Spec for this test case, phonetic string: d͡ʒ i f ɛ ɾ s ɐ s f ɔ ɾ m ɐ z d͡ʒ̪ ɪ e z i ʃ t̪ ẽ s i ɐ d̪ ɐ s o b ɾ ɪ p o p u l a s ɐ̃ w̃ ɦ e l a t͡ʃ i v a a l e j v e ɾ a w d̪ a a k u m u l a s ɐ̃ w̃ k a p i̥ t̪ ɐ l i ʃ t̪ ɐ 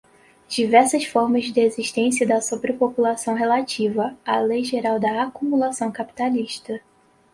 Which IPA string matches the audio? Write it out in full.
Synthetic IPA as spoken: d͡ʒ i v ɛ ɾ s ɐ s f ɔ ɾ m ɐ z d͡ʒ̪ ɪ e z i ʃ t̪ ẽ s i ɐ d̪ ɐ s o b ɾ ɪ p o p u l a s ɐ̃ w̃ ɦ e l a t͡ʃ i v ɐ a l e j ʒ e ɾ a w d̪ ɐ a k u m u l a s ɐ̃ w̃ k a p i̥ t̪ a l i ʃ t̪ ɐ